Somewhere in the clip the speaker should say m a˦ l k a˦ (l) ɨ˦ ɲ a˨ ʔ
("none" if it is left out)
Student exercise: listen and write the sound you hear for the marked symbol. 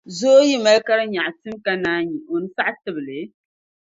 ɾ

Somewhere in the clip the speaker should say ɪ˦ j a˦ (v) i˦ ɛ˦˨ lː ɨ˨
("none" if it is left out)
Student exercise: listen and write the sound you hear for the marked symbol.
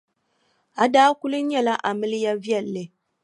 v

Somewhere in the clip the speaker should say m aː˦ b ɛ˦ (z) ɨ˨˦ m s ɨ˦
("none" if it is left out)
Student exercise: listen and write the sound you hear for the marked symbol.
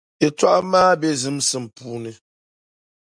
z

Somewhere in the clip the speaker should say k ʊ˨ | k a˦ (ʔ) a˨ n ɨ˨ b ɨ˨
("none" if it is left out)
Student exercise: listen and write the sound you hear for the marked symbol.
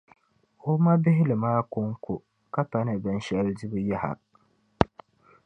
p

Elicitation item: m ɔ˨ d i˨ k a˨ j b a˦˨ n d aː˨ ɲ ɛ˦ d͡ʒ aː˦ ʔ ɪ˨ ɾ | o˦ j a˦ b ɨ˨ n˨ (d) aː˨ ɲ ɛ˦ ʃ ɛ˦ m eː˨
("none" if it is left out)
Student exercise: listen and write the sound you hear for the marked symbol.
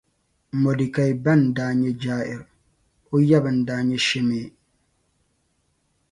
d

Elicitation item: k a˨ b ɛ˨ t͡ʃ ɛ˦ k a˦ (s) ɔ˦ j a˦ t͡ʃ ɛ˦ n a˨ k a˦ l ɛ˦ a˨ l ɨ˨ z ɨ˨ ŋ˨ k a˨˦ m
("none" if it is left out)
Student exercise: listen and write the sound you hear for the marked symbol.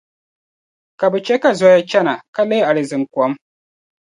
z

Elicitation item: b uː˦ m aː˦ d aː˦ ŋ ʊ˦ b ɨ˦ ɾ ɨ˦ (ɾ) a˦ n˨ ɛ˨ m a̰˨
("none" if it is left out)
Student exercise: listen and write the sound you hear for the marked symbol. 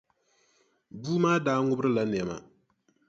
l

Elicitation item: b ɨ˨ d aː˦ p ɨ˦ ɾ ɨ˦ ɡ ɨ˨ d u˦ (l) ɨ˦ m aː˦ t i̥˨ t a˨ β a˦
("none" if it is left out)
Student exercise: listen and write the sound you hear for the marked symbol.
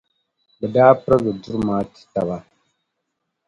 ɾ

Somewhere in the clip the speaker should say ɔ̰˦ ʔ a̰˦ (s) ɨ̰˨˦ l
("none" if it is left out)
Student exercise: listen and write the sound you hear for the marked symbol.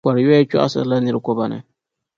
s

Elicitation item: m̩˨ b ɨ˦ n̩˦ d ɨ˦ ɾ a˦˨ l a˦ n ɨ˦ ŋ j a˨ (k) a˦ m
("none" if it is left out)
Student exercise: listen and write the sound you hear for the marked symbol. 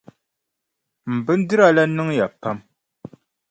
p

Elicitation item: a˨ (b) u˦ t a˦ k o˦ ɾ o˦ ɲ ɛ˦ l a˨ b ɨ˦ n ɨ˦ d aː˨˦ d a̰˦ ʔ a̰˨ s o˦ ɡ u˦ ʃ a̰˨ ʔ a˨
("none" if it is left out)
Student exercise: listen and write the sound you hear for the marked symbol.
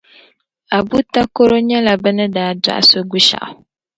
b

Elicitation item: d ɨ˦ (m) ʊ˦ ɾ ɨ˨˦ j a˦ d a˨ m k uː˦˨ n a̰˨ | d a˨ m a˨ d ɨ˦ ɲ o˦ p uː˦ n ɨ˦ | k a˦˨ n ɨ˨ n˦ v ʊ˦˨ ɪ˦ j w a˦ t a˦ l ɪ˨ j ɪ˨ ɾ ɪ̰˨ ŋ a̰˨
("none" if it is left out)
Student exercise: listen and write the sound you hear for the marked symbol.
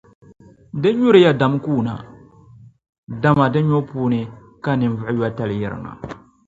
ɲ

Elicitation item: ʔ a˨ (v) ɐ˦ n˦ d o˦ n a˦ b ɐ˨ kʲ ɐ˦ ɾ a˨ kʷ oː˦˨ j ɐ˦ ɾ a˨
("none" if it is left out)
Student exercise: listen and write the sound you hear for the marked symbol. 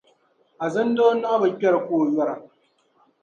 z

